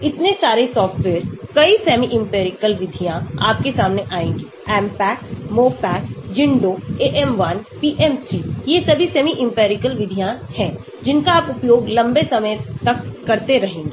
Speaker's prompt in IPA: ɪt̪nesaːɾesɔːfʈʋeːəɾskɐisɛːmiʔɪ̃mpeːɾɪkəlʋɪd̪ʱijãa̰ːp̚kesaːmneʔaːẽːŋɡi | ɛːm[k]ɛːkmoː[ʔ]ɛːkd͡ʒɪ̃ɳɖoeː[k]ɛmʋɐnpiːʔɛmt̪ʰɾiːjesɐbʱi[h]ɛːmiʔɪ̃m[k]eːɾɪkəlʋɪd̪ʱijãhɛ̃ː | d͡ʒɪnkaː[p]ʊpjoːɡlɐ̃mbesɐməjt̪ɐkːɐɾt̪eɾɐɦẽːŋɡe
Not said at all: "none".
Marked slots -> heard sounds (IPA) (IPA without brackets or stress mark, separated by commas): p, p, ʔ, s, p, p